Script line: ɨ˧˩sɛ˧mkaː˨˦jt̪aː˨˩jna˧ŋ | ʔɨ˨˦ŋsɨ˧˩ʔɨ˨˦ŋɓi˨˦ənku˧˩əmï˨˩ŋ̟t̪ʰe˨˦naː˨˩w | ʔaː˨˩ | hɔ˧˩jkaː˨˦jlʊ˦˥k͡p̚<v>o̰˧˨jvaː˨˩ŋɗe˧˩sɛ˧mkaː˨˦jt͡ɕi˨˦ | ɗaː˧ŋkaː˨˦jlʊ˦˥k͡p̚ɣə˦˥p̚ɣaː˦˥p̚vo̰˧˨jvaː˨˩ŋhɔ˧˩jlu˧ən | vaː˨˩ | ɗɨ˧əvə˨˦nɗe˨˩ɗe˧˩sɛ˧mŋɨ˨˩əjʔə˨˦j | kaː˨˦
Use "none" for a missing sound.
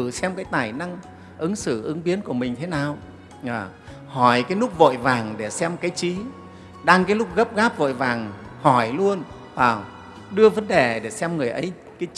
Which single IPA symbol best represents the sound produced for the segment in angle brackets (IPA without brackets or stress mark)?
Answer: v